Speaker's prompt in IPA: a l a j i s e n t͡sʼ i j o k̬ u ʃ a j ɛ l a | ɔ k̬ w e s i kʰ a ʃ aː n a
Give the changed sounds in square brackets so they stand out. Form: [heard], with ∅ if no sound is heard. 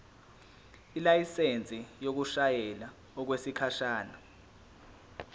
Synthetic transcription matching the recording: [i] l a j i s e n t͡sʼ i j o k̬ u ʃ a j ɛ l a | ɔ k̬ w e s i kʰ a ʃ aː n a